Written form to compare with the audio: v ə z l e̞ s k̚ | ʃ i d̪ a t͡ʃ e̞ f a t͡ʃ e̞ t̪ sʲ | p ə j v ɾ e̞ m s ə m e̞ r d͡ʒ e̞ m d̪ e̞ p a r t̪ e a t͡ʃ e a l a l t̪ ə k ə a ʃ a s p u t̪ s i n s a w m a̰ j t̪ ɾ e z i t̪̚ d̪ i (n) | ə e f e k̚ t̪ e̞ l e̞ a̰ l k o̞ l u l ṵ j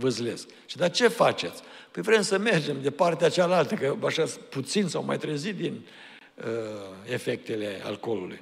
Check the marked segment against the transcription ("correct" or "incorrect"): correct